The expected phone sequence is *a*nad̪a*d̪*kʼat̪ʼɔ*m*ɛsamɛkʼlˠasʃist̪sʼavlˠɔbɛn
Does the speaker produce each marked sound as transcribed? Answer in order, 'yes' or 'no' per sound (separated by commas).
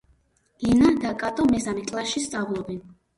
no, no, yes